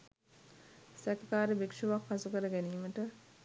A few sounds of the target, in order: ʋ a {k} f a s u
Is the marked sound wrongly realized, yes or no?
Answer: no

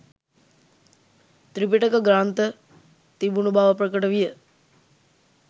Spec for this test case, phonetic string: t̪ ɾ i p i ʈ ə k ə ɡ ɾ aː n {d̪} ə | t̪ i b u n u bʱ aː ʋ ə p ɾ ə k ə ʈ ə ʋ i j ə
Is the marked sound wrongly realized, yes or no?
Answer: yes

